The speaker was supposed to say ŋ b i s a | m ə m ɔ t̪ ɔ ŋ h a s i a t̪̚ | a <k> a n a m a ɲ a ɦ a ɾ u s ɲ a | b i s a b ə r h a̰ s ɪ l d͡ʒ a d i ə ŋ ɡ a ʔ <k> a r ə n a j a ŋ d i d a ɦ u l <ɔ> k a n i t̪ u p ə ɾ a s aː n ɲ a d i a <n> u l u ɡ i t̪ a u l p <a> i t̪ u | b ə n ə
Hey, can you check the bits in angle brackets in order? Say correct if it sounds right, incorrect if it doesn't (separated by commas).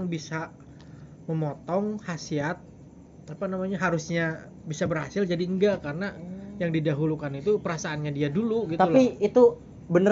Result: incorrect, correct, incorrect, incorrect, incorrect